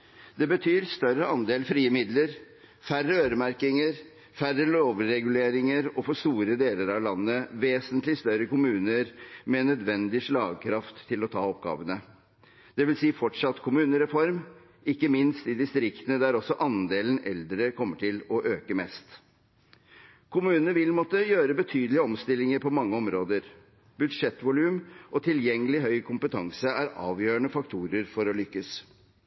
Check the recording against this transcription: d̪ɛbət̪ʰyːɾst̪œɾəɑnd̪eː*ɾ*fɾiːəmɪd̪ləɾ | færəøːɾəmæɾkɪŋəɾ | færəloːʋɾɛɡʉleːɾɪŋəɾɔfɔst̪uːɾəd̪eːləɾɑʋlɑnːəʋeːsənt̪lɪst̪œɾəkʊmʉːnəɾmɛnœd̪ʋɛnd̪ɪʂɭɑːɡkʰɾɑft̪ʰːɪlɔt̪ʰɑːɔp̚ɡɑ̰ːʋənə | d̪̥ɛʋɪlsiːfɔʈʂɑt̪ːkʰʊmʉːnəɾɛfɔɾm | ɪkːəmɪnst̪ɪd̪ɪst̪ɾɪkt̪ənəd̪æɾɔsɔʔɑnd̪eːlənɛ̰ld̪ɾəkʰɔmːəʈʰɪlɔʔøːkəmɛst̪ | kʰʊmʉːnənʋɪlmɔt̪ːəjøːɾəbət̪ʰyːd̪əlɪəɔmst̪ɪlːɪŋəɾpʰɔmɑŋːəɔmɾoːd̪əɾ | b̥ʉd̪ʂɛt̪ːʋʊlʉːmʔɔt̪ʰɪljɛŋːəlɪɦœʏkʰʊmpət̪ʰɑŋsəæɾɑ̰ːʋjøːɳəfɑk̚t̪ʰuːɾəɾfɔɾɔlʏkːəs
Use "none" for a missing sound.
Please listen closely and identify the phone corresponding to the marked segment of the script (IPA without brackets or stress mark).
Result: l